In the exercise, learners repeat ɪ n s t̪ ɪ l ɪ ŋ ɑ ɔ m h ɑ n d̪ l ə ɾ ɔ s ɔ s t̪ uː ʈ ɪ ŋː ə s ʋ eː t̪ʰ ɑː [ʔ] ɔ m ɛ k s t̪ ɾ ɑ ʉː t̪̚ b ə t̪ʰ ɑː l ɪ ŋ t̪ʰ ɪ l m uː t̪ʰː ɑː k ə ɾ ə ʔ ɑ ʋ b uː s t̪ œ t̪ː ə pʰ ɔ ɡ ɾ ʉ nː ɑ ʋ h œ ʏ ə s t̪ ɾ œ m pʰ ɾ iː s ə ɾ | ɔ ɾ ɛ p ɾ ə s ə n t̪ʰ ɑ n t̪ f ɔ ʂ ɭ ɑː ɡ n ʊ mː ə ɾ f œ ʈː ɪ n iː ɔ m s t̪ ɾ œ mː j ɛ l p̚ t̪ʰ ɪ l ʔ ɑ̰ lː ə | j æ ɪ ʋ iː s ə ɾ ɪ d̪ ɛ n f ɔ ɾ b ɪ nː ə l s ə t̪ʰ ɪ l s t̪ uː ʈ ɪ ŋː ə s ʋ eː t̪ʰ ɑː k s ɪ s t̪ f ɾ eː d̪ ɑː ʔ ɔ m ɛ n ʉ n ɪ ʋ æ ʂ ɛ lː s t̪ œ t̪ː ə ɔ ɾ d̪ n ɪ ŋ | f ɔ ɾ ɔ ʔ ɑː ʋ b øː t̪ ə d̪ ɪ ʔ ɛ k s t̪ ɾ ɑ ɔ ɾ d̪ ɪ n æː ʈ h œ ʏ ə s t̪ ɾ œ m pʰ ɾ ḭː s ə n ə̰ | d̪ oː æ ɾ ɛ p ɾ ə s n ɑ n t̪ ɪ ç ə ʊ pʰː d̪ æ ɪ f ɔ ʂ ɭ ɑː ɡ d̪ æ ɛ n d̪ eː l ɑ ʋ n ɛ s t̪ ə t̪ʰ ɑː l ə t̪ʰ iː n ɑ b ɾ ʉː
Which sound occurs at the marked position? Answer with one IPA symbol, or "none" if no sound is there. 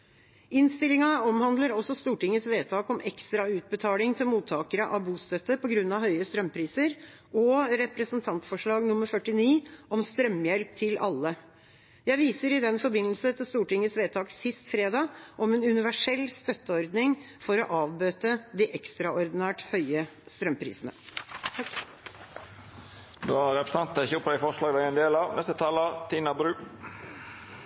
k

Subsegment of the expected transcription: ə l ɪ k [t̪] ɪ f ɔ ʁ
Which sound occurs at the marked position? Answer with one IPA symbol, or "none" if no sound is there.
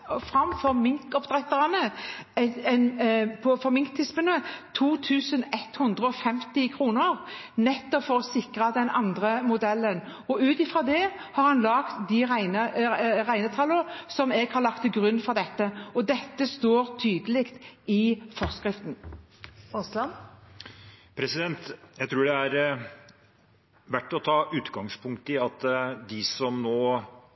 t̪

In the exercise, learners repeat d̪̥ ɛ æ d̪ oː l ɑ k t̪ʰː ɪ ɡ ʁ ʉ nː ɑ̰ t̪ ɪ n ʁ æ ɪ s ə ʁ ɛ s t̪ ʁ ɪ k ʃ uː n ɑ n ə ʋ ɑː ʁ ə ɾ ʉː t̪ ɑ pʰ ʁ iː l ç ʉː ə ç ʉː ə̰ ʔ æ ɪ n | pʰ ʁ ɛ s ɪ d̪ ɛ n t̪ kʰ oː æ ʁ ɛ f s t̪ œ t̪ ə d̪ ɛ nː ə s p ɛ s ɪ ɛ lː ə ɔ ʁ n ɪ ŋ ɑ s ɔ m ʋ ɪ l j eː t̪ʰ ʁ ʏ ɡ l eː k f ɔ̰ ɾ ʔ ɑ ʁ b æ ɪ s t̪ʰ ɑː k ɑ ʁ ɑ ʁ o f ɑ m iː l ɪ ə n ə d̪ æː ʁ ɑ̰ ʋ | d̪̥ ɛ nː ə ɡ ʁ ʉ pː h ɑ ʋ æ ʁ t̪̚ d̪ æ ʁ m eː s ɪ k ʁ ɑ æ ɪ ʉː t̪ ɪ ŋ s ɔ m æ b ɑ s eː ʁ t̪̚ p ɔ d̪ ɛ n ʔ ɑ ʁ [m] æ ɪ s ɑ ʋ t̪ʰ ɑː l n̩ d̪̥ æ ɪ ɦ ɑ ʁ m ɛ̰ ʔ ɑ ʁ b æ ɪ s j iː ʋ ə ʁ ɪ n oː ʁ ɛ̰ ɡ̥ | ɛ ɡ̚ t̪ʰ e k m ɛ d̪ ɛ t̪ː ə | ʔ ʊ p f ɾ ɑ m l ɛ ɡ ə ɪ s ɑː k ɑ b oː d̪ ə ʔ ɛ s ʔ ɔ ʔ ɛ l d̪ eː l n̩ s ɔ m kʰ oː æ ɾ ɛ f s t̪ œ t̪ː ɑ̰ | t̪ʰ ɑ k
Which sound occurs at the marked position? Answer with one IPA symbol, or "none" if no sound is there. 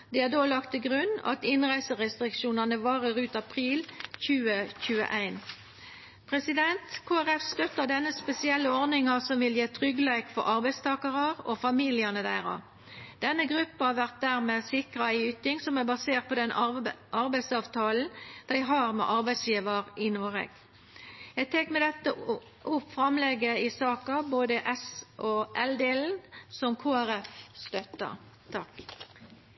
b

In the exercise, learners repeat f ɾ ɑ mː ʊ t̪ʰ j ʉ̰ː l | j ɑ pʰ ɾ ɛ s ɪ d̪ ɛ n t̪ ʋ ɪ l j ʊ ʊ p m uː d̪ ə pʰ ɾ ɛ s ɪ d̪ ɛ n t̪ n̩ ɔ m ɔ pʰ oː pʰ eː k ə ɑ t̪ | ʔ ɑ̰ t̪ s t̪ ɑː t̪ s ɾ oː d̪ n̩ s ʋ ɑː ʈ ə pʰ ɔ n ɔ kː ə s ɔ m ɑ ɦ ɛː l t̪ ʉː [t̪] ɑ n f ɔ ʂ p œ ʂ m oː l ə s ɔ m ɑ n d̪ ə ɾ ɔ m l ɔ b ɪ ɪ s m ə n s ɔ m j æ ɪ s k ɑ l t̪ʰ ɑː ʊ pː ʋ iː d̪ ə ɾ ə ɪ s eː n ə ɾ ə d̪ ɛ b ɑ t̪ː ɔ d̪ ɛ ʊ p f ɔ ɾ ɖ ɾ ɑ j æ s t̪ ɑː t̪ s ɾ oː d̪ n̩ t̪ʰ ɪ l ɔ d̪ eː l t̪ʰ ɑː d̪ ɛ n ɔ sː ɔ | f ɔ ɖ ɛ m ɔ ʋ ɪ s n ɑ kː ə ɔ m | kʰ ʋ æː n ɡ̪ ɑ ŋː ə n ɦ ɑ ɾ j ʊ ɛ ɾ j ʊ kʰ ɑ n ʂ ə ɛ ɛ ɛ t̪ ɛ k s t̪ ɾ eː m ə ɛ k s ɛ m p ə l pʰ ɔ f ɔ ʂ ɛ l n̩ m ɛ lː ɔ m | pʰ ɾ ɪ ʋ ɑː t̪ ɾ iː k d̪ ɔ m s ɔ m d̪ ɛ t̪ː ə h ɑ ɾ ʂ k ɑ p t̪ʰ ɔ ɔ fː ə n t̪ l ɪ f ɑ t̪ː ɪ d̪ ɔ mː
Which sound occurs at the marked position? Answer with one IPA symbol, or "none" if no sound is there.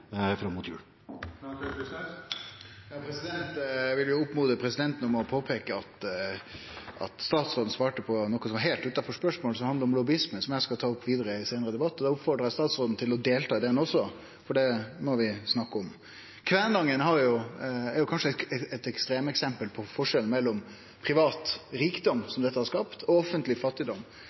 t̪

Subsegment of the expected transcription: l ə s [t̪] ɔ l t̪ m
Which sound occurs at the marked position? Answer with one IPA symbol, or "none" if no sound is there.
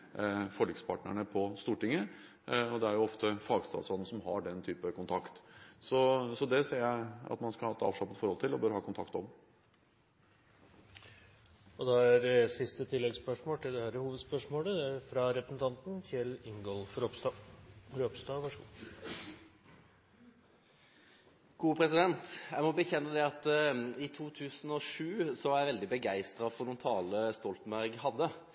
t̪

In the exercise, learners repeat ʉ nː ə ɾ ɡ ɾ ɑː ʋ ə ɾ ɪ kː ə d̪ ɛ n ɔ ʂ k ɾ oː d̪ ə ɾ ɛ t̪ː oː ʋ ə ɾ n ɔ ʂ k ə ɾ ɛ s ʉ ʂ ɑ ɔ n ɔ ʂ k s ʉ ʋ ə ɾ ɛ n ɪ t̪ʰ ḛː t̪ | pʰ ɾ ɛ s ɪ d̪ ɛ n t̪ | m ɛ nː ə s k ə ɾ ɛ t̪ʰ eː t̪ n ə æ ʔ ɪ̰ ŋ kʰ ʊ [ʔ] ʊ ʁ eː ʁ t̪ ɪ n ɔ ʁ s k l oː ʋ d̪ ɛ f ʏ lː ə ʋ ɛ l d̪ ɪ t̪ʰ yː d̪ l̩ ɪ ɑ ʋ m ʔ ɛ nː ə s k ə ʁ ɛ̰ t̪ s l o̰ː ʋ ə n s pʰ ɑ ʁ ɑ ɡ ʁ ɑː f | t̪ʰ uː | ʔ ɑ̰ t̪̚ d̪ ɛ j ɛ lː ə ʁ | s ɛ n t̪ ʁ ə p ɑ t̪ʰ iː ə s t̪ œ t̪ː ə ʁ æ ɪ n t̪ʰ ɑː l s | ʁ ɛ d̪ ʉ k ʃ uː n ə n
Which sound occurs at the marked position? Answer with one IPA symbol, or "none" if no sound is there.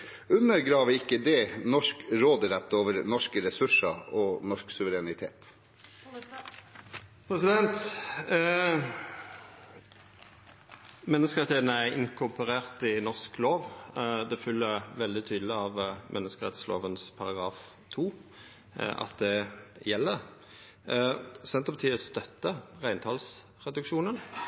p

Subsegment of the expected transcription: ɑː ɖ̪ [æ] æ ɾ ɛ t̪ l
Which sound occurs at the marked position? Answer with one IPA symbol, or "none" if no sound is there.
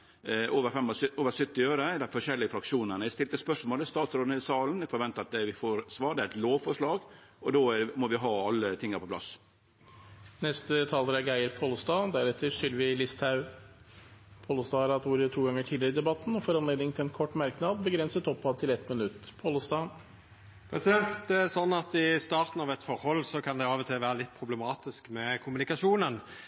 ɛ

